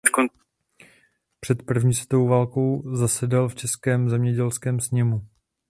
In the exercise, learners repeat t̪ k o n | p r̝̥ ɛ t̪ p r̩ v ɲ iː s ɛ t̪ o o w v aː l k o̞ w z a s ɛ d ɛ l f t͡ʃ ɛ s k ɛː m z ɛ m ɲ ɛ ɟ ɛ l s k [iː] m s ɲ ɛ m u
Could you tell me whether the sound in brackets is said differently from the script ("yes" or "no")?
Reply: yes